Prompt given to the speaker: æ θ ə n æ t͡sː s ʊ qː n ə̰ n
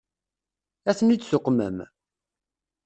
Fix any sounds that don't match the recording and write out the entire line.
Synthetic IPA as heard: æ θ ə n i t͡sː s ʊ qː m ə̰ m